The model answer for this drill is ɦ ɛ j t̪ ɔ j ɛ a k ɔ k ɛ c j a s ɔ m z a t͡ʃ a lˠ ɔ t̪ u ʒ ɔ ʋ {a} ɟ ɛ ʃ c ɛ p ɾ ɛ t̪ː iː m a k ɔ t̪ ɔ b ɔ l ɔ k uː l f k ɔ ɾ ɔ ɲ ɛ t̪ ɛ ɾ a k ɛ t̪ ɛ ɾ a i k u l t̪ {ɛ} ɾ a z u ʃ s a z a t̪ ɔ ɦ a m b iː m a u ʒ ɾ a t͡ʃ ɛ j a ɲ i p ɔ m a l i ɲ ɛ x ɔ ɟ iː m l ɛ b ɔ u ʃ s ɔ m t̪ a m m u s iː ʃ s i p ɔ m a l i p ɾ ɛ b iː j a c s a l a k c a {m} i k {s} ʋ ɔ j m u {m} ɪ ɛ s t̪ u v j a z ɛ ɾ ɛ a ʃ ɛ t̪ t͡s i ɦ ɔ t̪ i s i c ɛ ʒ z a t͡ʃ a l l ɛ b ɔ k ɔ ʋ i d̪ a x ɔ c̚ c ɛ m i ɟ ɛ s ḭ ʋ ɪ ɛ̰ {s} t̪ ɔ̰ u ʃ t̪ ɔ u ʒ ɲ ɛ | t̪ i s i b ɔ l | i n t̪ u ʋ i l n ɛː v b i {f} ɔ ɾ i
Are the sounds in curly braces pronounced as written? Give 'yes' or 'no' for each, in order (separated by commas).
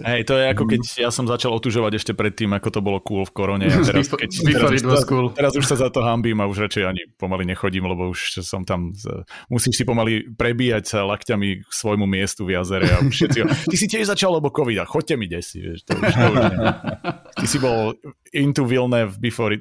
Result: yes, yes, yes, yes, yes, no, yes